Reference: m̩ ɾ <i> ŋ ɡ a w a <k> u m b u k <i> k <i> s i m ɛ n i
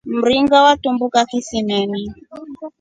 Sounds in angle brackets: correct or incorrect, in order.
correct, incorrect, incorrect, correct

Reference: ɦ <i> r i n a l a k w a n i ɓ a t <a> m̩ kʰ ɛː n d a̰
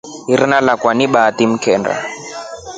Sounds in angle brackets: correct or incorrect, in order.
correct, incorrect

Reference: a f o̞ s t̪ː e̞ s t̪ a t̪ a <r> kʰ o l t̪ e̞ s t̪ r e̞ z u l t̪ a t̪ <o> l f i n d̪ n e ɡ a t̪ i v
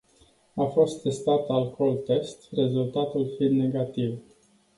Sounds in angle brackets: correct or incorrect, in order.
incorrect, incorrect

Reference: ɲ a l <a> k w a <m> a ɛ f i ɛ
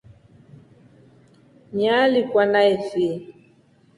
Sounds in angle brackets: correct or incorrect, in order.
incorrect, incorrect

